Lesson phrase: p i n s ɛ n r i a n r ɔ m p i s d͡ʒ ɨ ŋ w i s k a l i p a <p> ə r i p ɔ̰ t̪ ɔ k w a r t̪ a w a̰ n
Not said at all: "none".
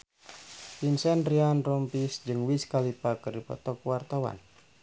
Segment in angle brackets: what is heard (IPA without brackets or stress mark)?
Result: k